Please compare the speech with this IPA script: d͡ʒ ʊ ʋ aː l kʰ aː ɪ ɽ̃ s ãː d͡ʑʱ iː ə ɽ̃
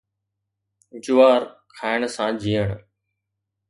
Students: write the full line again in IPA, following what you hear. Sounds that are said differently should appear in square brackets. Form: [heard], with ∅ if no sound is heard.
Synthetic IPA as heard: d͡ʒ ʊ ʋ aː [ɾ] kʰ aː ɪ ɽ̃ s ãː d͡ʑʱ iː ə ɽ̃